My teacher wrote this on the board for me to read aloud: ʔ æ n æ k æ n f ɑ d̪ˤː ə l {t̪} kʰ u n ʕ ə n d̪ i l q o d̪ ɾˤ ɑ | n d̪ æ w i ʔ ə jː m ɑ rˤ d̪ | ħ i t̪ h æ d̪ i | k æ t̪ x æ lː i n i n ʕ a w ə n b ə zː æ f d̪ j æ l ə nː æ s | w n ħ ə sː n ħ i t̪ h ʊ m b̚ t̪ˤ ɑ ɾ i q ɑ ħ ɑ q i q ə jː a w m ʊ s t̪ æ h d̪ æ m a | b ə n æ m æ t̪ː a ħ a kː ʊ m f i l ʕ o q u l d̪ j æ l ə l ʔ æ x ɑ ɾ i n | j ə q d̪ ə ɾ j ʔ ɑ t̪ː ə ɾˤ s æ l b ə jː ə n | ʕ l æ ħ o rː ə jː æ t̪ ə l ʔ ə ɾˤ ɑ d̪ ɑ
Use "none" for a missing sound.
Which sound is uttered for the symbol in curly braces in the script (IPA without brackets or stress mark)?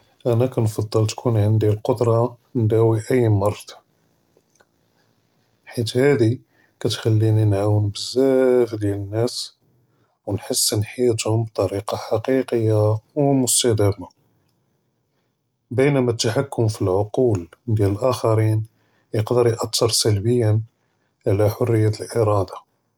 t̪